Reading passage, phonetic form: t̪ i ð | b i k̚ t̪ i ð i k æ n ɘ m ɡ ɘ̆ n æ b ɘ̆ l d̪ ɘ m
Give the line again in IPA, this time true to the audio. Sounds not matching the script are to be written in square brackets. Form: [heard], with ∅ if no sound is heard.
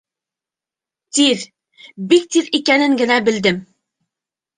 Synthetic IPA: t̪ i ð | b i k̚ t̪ i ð i k æ n ɘ [ŋ] ɡ ɘ̆ n æ b ɘ̆ l d̪ ɘ m